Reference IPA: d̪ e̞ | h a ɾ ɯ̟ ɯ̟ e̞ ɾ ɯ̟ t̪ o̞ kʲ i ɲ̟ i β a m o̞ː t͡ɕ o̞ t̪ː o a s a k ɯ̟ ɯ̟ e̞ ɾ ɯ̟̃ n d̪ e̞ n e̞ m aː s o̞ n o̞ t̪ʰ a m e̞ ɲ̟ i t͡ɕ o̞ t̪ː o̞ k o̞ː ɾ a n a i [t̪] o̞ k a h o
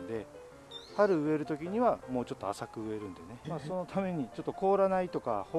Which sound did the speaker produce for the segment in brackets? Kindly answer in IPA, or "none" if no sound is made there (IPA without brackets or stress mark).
t̪